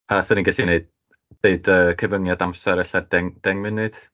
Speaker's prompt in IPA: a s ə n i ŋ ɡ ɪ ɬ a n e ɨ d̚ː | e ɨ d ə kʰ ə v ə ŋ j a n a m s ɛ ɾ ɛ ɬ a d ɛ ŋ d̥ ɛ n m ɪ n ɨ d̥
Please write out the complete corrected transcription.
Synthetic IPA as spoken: a s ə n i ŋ ɡ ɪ ɬ i n e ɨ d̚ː | e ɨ d ə kʰ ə v ə ŋ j a d a m s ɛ ɾ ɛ ɬ a d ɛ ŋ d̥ ɛ ŋ m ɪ n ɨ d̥